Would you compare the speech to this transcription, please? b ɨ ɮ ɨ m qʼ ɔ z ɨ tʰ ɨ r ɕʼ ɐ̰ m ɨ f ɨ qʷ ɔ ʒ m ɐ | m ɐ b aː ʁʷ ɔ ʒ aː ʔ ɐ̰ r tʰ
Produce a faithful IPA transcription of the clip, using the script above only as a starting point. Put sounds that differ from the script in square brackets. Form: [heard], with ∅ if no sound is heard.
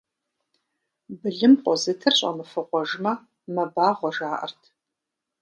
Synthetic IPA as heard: b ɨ ɮ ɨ m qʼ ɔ z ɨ tʰ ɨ r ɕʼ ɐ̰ m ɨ f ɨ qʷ ɔ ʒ m ɐ | m ɐ b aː ʁʷ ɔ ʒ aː ʔ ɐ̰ r tʰ

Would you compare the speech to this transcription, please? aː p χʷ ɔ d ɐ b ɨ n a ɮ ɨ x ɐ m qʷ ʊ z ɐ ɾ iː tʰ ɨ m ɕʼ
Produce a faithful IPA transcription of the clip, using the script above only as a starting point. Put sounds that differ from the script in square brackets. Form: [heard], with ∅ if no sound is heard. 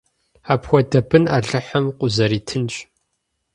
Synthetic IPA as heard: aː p [xʷ] ɔ d ɐ b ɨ n a ɮ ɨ [ħ] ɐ m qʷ ʊ z ɐ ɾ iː tʰ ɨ [n] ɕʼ

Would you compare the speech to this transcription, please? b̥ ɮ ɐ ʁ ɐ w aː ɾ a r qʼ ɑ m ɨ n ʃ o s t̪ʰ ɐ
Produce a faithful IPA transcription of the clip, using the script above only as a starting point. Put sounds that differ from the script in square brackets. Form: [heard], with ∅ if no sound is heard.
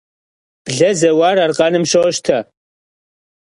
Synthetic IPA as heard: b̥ ɮ ɐ [z] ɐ w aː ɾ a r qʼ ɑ [n] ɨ [m] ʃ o [ʃ] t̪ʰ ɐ

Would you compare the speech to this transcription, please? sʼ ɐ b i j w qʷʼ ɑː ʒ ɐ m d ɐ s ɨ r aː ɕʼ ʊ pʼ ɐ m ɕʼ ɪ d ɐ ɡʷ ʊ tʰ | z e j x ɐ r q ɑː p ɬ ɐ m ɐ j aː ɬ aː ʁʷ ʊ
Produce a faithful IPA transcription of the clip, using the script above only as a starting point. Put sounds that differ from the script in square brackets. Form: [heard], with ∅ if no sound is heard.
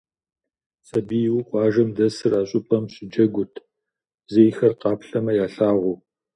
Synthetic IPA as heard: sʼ ɐ b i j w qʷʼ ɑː ʒ ɐ m d ɐ s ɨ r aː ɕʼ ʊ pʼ ɐ m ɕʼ ɪ [d͡ʒ] ɐ ɡʷ ʊ tʰ | z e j x ɐ r q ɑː p ɬ ɐ m ɐ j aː ɬ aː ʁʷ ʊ

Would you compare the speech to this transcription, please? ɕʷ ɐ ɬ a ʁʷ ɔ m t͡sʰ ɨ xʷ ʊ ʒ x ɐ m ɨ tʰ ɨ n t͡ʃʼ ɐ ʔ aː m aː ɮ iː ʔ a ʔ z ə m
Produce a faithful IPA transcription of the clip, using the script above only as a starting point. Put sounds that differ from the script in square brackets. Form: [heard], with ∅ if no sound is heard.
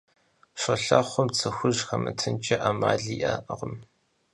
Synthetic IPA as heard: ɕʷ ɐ ɬ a [χʷ] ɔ m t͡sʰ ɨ xʷ ʊ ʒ x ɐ m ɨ tʰ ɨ n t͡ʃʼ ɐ ʔ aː m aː ɮ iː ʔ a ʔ [ʁ] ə m

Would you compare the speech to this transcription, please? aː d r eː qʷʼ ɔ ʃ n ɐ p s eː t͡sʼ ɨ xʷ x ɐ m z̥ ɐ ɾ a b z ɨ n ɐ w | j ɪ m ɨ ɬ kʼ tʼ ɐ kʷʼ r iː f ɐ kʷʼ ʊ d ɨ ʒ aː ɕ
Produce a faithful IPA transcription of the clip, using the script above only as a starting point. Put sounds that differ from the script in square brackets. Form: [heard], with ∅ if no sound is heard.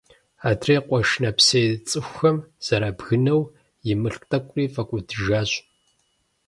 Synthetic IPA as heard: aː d r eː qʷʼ ɔ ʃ n ɐ p s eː t͡sʼ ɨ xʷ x ɐ m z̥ ɐ ɾ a b [ɣ] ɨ n ɐ w | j ɪ m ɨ ɬ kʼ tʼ ɐ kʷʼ r iː f ɐ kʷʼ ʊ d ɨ ʒ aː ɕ

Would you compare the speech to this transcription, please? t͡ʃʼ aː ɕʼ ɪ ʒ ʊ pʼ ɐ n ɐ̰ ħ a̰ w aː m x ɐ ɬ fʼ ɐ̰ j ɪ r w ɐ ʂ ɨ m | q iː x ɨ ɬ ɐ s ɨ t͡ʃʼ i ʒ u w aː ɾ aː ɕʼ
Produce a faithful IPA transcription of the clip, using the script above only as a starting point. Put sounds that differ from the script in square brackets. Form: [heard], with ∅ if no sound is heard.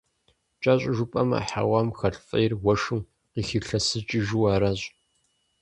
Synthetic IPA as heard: t͡ʃʼ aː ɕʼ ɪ ʒ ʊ pʼ ɐ [m] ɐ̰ ħ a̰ w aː m x ɐ ɬ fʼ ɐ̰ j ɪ r w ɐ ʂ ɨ m | q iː x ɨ ɬ ɐ s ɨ t͡ʃʼ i ʒ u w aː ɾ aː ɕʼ

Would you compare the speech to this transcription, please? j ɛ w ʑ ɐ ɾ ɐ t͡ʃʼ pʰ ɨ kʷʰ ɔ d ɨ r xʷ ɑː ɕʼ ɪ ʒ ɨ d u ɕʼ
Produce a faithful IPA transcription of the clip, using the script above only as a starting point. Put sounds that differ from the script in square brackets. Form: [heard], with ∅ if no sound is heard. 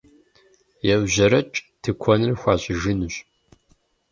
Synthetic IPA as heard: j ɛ w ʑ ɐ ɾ ɐ t͡ʃʼ [tʰ] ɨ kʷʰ ɔ [n] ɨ r xʷ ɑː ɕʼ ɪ ʒ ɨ [n] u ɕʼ

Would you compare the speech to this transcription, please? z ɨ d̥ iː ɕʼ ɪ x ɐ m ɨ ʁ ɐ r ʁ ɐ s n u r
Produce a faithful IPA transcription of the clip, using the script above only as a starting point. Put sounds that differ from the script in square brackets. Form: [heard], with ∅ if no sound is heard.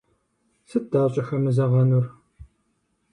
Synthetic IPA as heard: [s] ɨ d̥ [aː] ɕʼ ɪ x ɐ m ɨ [z] ɐ [∅] ʁ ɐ [∅] n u r

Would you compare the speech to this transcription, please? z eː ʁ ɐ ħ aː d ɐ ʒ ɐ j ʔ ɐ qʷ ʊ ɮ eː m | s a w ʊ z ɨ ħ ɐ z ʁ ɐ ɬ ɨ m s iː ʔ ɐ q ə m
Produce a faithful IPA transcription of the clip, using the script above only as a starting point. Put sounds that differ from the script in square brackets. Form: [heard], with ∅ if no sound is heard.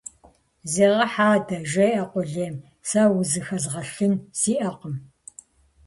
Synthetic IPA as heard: z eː ʁ ɐ ħ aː d ɐ ʒ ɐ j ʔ ɐ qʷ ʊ ɮ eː m | s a w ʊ z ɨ [x] ɐ z ʁ ɐ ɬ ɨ [n] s iː ʔ ɐ q ə m

